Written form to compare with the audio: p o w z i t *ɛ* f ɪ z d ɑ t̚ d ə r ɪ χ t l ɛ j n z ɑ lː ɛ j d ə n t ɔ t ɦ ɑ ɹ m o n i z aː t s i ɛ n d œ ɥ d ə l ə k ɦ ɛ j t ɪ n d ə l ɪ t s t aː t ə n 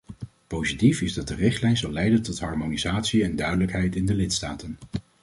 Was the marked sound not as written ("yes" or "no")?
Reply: yes